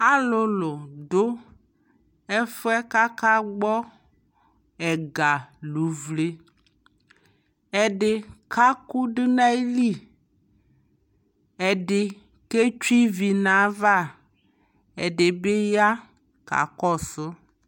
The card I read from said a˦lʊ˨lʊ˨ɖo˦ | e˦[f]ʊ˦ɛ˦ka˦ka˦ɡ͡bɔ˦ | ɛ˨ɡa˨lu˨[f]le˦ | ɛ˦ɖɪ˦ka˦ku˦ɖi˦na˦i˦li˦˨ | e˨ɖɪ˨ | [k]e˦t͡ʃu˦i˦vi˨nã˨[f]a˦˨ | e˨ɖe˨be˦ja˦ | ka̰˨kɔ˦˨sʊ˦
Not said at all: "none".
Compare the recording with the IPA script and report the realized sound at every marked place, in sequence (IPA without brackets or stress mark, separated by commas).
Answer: f, v, k, v